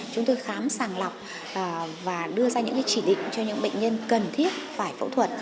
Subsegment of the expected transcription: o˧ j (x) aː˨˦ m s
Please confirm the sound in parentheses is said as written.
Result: yes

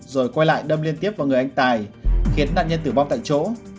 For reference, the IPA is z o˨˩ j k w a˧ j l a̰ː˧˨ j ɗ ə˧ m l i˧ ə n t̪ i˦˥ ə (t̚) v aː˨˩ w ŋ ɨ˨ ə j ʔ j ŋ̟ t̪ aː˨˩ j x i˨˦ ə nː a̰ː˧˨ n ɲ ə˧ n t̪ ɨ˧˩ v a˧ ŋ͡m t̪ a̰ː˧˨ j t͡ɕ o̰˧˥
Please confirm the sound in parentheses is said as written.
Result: no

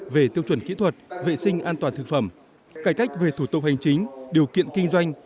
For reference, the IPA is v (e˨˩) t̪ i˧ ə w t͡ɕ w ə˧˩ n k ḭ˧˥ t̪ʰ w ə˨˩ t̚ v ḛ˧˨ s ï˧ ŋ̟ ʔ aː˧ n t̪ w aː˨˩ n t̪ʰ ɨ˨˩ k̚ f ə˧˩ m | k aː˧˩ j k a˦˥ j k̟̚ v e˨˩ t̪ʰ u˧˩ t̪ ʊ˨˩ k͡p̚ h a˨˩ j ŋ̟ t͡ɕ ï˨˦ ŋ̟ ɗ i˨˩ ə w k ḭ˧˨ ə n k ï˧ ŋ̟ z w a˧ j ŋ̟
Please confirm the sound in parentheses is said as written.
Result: yes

